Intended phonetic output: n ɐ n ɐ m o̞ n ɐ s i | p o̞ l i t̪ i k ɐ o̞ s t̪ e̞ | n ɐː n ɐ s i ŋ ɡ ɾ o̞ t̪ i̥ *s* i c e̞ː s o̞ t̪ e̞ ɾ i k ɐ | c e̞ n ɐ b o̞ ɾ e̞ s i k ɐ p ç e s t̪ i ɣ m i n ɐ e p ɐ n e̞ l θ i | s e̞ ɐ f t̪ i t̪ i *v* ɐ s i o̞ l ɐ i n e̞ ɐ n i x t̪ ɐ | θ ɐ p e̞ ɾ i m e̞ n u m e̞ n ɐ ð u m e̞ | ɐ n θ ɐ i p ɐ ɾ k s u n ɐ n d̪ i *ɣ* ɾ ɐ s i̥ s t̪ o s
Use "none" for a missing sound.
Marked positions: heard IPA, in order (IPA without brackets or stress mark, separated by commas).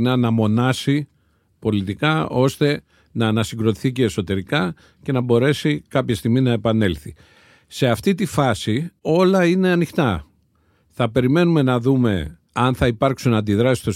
θ, f, ð